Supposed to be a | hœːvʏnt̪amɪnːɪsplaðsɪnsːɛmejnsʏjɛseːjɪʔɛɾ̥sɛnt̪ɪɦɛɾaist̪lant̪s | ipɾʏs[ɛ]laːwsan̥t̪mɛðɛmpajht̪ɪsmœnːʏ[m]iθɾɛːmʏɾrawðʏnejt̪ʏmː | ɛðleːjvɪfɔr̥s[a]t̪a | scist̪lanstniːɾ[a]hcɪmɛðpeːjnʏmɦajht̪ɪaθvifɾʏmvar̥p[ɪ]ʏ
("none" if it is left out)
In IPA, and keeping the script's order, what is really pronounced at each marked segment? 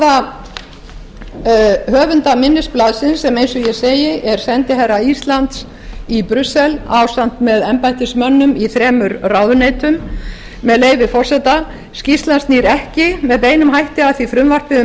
ɛ, m, ɛ, ɛ, ɪ

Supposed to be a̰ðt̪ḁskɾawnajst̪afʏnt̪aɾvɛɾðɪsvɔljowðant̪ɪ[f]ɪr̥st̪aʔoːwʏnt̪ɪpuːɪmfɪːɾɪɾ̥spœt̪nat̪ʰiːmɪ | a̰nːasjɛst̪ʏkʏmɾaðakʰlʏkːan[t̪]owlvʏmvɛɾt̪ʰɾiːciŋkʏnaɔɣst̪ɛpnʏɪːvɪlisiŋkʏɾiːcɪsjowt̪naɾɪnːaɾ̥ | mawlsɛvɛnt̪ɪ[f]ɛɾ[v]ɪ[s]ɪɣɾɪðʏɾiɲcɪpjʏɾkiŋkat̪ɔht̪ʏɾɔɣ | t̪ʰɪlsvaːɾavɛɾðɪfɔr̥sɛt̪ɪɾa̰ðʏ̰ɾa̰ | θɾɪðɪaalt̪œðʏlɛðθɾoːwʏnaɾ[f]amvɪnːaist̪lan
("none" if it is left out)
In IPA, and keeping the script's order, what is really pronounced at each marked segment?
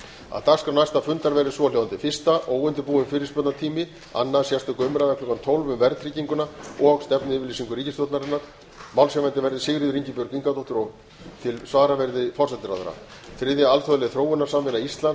f, t̪ʰ, v, ð, s, s

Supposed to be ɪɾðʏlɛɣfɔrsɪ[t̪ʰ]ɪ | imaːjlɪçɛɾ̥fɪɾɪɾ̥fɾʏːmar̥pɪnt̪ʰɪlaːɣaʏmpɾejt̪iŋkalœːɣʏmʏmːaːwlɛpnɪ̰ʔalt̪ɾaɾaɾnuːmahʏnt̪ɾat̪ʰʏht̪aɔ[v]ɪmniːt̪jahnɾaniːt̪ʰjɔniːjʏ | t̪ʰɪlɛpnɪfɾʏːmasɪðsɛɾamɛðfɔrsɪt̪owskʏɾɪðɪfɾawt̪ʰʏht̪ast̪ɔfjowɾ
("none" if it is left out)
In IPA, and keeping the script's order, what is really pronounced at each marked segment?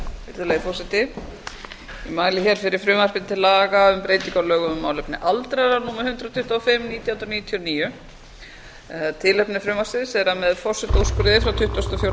t̪, f

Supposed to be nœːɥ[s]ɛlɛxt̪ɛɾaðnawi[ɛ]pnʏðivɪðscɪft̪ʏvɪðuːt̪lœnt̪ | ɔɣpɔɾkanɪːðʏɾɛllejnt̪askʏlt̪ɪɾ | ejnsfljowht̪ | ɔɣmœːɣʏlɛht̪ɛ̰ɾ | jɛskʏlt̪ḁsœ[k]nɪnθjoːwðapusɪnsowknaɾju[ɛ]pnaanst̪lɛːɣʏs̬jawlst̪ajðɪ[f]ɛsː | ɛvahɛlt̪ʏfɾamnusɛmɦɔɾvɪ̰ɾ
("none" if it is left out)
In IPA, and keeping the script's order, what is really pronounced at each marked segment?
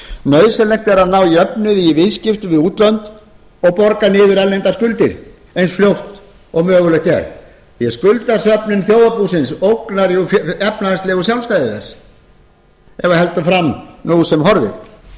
s, œ, p, ɛ, θ

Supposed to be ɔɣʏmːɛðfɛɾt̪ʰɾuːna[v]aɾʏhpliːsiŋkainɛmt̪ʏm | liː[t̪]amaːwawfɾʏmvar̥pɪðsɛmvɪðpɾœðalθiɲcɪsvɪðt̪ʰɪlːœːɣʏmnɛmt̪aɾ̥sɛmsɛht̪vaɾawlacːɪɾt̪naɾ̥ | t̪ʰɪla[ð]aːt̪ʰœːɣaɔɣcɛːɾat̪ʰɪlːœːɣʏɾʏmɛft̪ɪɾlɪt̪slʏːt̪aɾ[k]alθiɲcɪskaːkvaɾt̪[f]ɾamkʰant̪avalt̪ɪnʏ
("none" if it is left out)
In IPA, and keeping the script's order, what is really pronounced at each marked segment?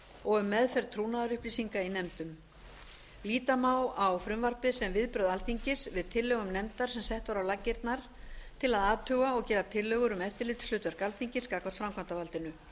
ð, t̪, ð, k, f

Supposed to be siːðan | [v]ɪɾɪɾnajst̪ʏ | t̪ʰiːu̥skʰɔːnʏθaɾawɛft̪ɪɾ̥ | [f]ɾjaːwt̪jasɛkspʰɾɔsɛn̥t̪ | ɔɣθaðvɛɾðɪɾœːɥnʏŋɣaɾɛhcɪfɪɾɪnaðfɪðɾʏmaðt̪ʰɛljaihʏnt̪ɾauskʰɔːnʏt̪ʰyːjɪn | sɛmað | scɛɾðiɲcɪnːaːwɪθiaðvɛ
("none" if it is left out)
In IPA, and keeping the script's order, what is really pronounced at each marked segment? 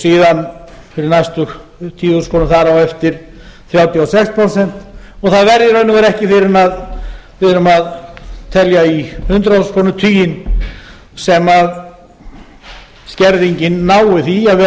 f, θ

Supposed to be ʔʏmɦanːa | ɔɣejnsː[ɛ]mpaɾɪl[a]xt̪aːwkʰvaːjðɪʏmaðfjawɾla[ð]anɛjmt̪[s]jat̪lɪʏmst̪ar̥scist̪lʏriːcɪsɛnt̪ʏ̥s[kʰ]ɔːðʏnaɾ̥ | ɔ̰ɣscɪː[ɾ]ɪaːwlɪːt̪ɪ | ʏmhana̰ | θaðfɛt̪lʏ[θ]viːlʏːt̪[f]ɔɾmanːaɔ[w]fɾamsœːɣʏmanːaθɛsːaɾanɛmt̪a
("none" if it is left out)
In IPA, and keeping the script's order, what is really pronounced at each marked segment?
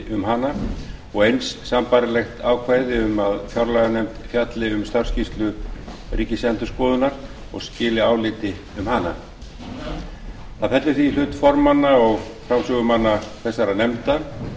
a, ɛ, ɣ, f, k, l, θ, f, ɣ

